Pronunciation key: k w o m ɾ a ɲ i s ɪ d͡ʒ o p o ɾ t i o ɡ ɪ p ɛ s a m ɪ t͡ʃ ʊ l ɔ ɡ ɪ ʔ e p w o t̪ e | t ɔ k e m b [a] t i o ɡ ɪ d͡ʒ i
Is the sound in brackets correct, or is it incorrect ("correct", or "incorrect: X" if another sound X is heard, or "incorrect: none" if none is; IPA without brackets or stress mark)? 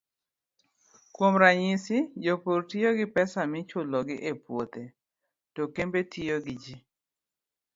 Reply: incorrect: e